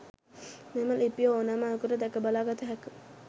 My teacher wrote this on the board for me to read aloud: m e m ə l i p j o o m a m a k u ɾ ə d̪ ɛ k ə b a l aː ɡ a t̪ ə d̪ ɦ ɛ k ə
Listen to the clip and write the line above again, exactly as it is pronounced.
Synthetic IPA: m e m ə l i p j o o n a m a k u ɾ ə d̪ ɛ k ə b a l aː ɡ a t̪ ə ɦ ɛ k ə